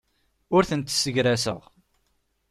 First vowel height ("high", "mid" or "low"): high